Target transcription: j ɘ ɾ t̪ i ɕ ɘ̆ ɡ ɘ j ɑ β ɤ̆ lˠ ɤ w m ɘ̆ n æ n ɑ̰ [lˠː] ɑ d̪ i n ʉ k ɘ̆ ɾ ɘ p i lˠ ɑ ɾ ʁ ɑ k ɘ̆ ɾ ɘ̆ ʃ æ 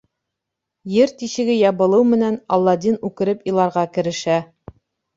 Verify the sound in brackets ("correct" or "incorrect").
correct